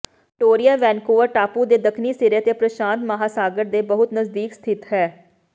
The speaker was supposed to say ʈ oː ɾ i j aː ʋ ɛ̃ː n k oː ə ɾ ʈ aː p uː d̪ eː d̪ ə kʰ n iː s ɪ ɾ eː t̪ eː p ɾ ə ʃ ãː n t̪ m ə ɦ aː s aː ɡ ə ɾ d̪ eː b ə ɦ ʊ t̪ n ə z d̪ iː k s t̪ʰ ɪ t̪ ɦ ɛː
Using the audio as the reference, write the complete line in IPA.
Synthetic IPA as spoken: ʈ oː ɾ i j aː ʋ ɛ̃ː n k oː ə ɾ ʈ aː p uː d̪ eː d̪ ə kʰ n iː s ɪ ɾ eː t̪ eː p ɾ ə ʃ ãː n t̪ m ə ɦ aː s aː ɡ ə ɾ d̪ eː b ə ɦ ʊ t̪ n ə z d̪ iː k s t̪ʰ ɪ t̪ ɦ ɛː